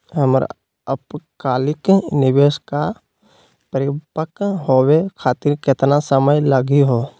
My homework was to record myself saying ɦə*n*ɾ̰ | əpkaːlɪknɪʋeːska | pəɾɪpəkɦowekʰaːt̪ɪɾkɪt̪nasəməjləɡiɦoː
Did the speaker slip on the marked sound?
yes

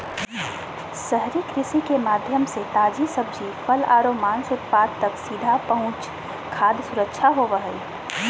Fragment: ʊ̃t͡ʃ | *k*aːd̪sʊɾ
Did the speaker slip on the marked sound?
yes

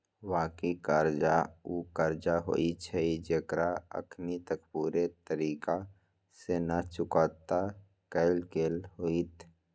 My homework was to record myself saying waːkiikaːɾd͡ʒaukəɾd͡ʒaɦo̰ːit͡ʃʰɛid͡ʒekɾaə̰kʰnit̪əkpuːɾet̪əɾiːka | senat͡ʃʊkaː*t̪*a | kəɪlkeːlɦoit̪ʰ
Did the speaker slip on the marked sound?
no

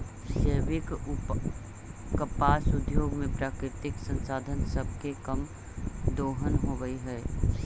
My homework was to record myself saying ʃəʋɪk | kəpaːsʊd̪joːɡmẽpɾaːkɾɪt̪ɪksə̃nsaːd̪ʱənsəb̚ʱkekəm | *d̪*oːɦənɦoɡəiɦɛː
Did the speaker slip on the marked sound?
no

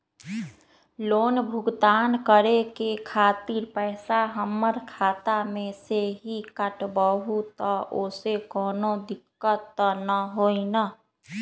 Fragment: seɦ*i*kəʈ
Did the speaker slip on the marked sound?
no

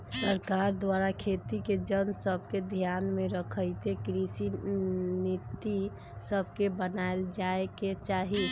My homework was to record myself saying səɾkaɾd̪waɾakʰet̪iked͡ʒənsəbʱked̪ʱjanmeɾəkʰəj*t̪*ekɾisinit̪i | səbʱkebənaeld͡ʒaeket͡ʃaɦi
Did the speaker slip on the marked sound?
no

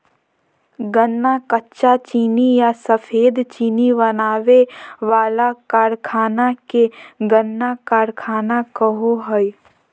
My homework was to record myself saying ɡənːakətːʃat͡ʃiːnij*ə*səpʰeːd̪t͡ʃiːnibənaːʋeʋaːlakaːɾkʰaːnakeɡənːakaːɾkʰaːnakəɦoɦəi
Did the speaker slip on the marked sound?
yes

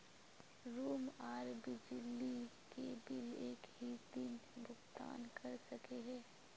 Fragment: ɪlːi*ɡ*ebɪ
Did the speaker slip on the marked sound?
yes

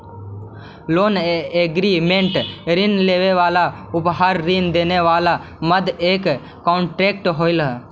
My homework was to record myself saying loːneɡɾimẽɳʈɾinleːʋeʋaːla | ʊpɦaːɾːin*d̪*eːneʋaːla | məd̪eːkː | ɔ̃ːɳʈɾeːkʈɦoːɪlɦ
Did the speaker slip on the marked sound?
no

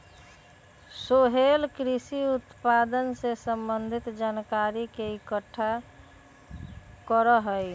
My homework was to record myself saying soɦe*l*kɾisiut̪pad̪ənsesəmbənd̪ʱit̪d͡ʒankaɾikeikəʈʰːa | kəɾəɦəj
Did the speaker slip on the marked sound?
no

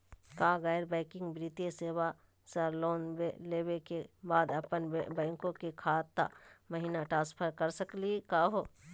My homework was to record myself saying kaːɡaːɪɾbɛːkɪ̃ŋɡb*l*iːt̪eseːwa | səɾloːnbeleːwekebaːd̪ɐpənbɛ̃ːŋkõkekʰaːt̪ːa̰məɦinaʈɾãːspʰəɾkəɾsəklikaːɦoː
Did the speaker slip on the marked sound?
yes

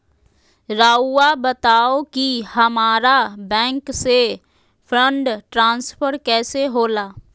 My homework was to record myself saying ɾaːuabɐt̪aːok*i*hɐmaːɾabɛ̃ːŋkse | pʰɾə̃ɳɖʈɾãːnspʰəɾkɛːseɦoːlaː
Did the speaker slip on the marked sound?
no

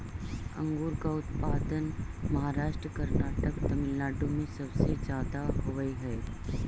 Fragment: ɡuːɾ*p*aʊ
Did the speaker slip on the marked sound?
yes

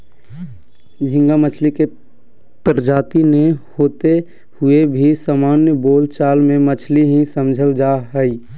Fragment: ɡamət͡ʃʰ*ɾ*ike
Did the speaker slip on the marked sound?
yes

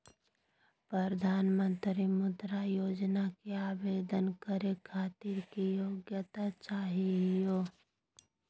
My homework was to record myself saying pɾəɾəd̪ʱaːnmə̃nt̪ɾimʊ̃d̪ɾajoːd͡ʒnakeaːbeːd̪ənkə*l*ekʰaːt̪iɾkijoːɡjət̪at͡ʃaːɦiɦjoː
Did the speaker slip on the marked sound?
yes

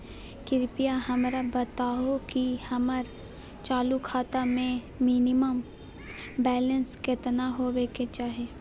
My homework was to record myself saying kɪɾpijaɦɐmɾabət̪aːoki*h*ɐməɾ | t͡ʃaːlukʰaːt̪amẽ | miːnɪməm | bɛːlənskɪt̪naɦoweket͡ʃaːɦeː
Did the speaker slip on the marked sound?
no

